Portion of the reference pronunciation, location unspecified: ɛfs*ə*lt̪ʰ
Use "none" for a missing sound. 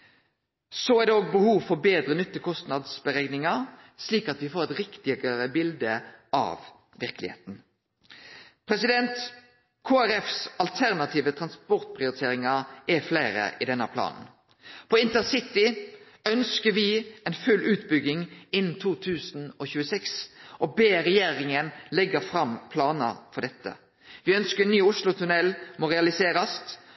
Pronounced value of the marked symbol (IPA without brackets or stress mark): ɑ